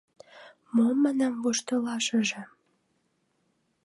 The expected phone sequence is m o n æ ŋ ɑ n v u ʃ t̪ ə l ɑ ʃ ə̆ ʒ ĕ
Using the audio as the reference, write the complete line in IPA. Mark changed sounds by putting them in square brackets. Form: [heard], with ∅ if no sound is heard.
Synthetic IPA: m o [m] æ [n] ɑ [m] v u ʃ t̪ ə l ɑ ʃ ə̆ ʒ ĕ